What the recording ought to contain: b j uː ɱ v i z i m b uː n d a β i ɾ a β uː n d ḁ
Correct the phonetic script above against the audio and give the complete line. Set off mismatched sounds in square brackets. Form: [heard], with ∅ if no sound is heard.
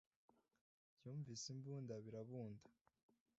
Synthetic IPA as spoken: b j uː ɱ v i [s] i m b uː n d a β i ɾ a β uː n d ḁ

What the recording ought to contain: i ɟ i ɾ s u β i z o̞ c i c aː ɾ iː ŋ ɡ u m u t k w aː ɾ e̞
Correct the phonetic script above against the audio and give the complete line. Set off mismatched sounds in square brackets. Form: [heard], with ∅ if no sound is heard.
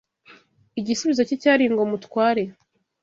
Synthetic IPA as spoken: i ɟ i [∅] s u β i z o̞ c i c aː ɾ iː ŋ ɡ [o] m u t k w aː ɾ e̞

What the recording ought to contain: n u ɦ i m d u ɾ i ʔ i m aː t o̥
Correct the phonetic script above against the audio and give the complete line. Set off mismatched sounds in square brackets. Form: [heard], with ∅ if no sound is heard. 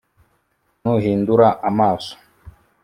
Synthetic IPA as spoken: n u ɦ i [n] d u ɾ [a] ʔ [a] m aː [s] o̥

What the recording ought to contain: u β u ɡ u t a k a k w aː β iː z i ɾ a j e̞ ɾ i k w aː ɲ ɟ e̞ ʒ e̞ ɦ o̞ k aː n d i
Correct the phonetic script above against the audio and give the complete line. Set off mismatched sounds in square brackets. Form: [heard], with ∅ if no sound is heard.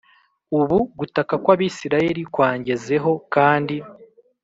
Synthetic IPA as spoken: u β u ɡ u t a k a k w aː β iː [s] i ɾ a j e̞ ɾ i k w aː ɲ ɟ e̞ [z] e̞ ɦ o̞ k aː n d i

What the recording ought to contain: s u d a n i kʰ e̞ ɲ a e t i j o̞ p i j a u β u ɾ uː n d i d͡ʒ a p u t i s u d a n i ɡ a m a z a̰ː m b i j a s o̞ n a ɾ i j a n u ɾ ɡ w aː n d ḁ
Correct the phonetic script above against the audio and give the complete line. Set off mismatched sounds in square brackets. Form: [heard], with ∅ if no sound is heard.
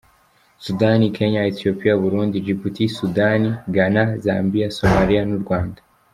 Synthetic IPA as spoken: s u d a n i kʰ e̞ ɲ a e t i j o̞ p i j a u β u ɾ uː n d i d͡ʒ [i] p u t i s u d a n i ɡ a [n] a z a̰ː m b i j a s o̞ [m] a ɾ i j a n u ɾ ɡ w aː n d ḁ

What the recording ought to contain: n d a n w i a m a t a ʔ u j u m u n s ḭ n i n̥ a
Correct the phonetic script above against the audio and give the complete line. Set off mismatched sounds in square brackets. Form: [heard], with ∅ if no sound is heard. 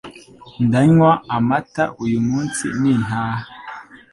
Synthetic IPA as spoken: n d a [ɲ] w [a] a m a t a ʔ u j u m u n s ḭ n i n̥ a

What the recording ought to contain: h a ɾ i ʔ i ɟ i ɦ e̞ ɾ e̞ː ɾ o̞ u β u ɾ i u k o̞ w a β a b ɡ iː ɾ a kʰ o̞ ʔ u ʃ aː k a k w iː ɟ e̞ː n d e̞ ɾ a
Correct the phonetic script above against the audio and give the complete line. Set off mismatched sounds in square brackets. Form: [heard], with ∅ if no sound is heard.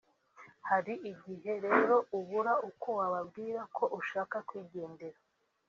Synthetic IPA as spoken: h a ɾ i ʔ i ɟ i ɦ e̞ ɾ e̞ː ɾ o̞ u β u ɾ [a] u k o̞ w a β a b ɡ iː ɾ a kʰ o̞ ʔ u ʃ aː k a k w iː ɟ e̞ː n d e̞ ɾ a

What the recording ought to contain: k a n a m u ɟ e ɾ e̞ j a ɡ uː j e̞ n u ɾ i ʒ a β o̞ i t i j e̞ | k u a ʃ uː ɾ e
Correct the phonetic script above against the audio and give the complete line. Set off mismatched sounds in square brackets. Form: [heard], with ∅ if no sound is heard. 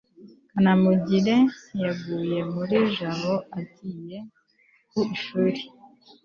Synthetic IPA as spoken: k a n a m u ɟ [i] ɾ e̞ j a ɡ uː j e̞ [m] u ɾ i ʒ a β o̞ [a] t i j e̞ | k u [i] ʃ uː ɾ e

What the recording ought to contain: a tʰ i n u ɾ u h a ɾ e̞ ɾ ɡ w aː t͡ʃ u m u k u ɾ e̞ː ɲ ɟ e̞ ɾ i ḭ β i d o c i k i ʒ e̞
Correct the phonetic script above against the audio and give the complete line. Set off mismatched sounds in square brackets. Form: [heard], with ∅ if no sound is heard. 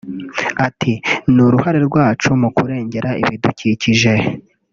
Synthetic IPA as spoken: a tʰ i n u ɾ u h a ɾ e̞ ɾ ɡ w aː t͡ʃ u m u k u ɾ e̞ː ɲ ɟ e̞ ɾ [a] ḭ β i d [u] c i [c] i ʒ e̞

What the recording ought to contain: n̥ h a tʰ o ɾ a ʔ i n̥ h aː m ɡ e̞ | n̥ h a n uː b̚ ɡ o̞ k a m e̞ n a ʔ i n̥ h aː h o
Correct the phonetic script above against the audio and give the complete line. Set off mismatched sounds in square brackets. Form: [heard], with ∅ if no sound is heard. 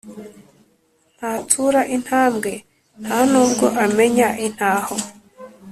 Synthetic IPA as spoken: n̥ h a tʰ [u] ɾ a ʔ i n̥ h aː m ɡ e̞ | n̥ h a n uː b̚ ɡ o̞ [ʔ] a m e̞ [ɲ] a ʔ i n̥ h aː h o

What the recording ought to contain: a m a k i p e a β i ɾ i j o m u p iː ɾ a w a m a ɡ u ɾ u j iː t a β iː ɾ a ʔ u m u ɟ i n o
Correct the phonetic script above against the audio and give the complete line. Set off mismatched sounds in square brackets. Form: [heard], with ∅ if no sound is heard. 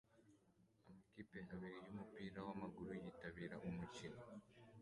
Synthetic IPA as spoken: a m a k i p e a β i ɾ i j [u] m u p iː ɾ a w a m a ɡ u ɾ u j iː t a β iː ɾ a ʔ u m u [c] i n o

